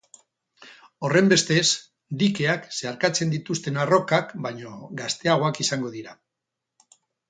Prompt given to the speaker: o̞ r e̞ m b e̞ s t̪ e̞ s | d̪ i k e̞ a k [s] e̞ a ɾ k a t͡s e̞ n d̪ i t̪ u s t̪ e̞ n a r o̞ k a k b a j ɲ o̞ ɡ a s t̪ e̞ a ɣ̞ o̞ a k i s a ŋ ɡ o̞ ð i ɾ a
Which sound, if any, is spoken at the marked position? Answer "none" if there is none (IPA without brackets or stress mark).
s